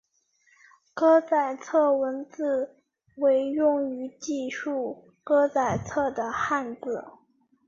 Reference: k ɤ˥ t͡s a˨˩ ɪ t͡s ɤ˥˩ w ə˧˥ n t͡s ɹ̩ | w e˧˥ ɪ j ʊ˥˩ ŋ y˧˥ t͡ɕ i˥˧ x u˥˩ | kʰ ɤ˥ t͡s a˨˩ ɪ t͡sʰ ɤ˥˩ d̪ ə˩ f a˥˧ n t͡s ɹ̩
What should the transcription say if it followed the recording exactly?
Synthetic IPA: k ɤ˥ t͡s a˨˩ ɪ t͡sʰ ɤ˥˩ w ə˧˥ n t͡s ɹ̩ | w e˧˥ ɪ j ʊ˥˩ ŋ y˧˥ t͡ɕ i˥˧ ʂ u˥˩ | k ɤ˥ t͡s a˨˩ ɪ t͡sʰ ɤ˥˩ d̪ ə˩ x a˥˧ n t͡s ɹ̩